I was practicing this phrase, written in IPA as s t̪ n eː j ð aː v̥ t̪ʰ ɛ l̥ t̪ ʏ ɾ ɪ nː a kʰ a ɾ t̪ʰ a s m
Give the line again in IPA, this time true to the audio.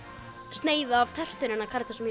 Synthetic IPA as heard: s t̪ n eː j ð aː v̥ t̪ʰ ɛ r̥ t̪ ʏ ɾ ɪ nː a kʰ a ɾ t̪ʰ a s m